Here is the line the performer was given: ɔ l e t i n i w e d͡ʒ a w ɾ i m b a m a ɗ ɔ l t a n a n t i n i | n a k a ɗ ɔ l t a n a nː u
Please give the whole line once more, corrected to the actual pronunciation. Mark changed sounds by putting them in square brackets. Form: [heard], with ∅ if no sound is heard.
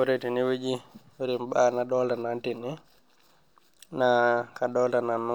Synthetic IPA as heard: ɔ [ɾ] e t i n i w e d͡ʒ [i] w ɾ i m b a [n] a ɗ ɔ l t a n a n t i n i | n a k a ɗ ɔ l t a n a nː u